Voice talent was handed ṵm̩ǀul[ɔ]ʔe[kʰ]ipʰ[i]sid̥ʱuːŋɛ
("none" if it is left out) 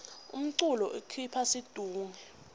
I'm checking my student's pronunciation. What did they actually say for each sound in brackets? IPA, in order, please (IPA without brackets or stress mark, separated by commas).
ɔ, kʰ, a